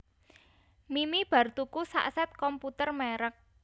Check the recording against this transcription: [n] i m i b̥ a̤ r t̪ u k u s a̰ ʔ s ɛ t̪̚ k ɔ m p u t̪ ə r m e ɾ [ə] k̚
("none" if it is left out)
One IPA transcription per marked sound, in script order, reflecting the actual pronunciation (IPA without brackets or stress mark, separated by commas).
m, ə